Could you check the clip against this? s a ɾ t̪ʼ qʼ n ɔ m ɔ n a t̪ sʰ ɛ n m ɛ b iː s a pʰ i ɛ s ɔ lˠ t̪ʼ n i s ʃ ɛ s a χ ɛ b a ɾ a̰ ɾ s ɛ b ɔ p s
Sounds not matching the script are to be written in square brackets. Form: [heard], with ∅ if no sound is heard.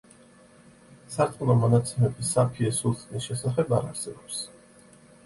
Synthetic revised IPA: s a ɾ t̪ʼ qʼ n ɔ m ɔ n a t̪ sʰ ɛ [∅] m ɛ b [i] s a pʰ i ɛ s [u] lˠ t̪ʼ n i s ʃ ɛ s a χ ɛ b a ɾ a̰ ɾ s ɛ b ɔ p s